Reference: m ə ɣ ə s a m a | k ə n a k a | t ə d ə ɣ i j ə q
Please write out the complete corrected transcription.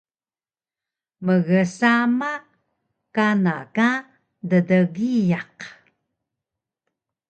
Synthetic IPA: m ə ɣ ə s a m a | k a n a k a | d ə d ə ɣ i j a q